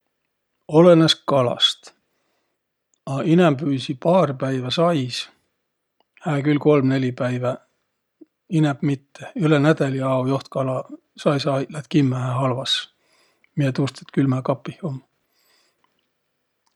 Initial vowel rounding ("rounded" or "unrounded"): rounded